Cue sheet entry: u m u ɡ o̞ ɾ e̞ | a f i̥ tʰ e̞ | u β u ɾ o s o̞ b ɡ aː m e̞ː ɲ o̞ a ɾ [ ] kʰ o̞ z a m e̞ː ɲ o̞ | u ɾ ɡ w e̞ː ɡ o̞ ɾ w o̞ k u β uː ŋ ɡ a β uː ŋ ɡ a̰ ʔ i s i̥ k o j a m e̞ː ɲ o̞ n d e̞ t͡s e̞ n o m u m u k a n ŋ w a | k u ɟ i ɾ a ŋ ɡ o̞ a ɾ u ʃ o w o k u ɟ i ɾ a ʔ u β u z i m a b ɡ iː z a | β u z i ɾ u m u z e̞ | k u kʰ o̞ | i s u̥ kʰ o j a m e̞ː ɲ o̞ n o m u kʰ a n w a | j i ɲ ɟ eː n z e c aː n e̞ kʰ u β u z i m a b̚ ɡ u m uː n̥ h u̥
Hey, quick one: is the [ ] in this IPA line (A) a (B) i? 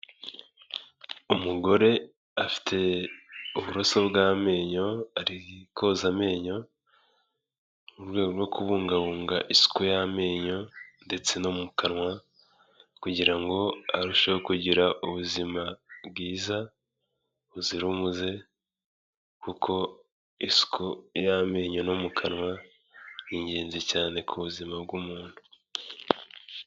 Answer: B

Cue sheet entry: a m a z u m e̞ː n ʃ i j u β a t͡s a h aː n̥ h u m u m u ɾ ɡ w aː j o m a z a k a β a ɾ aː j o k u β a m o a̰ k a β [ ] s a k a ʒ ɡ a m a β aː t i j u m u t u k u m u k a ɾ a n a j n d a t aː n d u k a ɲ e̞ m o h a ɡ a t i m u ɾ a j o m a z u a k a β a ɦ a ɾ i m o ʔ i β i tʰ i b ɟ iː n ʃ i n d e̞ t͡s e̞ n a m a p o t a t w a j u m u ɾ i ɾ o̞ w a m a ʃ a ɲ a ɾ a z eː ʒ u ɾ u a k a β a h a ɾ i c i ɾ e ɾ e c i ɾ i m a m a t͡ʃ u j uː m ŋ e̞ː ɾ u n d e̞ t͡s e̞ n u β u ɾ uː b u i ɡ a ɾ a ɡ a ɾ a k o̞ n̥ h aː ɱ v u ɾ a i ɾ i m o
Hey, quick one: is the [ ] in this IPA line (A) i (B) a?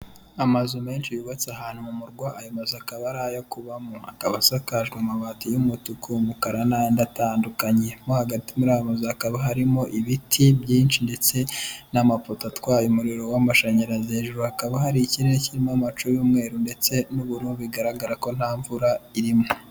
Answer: B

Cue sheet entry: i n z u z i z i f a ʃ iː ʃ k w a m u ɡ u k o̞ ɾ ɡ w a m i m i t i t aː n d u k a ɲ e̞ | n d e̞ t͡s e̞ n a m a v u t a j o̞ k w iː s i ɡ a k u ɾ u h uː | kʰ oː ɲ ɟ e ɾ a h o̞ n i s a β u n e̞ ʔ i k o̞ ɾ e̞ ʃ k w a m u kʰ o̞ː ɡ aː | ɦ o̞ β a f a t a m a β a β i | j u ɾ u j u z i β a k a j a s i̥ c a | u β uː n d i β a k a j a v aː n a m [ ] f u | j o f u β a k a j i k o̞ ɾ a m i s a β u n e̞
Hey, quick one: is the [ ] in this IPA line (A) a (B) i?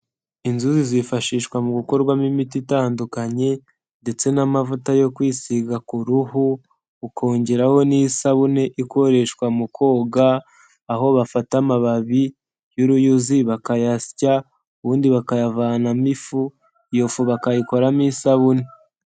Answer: B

